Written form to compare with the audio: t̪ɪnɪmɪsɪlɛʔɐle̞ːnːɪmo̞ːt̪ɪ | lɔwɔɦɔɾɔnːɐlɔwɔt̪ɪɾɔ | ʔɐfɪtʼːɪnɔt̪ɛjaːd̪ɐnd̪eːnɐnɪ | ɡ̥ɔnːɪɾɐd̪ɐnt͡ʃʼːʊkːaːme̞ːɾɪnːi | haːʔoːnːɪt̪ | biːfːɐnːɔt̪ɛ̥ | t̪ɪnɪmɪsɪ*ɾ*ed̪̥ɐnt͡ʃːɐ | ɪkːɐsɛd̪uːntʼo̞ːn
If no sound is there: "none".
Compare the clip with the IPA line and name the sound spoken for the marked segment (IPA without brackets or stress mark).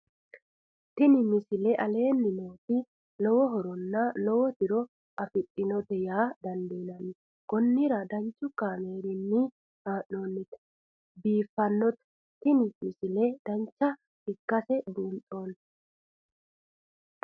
l